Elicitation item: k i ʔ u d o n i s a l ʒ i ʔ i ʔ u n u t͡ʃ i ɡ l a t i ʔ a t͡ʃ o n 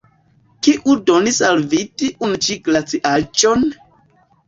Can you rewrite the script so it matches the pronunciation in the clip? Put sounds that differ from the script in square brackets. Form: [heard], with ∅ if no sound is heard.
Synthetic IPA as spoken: k i ʔ u d o n i s a l [v] i [t] i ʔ u n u t͡ʃ i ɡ l a [t͡s] i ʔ a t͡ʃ o n